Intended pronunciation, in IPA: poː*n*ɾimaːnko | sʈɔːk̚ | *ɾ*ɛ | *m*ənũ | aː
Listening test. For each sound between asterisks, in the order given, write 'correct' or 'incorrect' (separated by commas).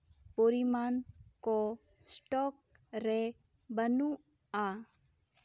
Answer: incorrect, correct, incorrect